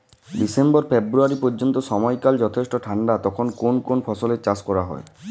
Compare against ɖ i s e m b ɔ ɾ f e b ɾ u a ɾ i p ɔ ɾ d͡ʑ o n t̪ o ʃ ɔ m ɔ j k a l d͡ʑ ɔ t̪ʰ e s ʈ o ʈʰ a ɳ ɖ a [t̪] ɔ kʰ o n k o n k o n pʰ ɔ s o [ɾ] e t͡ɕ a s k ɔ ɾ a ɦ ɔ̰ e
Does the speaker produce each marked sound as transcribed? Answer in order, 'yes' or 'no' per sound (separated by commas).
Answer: yes, no